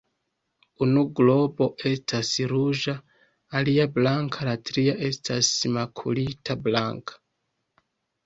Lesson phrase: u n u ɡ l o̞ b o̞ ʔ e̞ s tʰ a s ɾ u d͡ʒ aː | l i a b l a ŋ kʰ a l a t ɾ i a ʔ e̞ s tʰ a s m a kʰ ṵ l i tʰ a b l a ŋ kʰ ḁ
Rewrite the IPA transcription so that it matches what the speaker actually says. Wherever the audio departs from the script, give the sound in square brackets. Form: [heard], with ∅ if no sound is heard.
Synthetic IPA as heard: u n u ɡ l o̞ b o̞ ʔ e̞ s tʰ a s ɾ u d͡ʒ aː | l i a b l a ŋ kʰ a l a t ɾ i a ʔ e̞ s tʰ a s m a kʰ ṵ l i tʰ a b l a ŋ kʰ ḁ